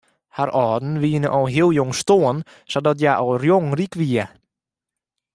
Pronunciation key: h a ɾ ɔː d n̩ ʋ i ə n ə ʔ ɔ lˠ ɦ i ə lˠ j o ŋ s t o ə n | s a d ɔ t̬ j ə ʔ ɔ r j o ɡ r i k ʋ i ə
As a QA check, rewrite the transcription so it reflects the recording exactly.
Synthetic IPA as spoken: h a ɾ ɔː d n̩ ʋ i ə n ə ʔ ɔ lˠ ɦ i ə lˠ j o ŋ s t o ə n | s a d ɔ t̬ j a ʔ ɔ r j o ŋ r i k ʋ i ə